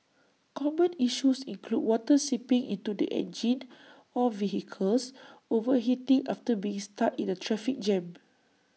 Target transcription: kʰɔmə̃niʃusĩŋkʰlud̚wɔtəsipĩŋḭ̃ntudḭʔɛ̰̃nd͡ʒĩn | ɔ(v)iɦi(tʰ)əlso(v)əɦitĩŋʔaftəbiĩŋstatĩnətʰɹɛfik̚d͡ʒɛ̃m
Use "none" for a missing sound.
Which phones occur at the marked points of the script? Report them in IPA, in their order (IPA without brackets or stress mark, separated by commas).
v, kʰ, v